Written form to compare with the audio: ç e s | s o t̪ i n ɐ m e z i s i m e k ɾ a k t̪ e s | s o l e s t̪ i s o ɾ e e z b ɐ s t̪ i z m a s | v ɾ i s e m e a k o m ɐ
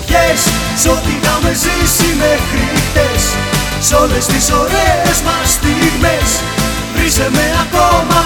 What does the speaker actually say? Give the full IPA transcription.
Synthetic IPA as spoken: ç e s | s o t̪ i n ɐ m e z i s i m e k ɾ i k t̪ e s | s o l e s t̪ i s o ɾ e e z m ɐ s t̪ i ɣ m e s | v ɾ i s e m e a k o m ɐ